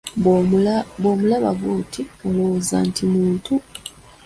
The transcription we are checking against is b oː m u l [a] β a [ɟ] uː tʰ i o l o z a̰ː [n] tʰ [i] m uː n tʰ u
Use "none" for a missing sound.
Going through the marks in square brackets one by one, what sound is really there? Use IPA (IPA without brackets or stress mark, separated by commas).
a, ɡ, n, i